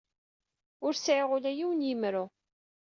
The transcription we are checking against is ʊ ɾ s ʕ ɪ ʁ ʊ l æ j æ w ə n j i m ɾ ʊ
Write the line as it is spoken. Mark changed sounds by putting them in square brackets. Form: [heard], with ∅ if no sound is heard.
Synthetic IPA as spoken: ʊ ɾ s ʕ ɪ ʁ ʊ l æ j [i] w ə n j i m ɾ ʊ